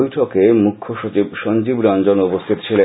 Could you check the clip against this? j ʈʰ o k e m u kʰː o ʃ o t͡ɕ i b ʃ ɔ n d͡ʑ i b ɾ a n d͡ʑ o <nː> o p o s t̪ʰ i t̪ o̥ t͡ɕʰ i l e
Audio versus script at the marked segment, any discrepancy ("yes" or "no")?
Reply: yes